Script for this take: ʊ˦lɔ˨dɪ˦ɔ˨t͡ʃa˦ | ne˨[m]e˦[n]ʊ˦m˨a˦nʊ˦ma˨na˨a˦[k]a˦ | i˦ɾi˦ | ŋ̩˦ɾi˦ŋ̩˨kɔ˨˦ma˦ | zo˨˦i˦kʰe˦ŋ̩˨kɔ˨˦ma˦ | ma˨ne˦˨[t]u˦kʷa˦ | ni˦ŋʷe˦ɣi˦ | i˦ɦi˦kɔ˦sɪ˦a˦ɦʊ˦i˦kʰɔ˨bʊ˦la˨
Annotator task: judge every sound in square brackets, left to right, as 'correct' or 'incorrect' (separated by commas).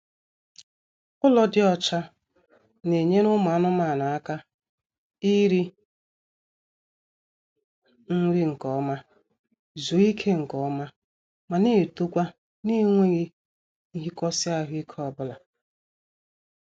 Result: incorrect, correct, correct, correct